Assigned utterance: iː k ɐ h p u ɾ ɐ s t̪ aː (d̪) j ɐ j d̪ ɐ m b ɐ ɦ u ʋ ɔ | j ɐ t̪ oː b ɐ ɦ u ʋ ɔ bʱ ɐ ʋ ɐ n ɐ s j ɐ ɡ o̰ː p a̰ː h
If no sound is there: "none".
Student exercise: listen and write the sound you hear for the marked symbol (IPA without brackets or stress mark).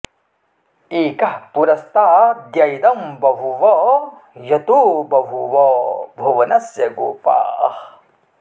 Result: d̪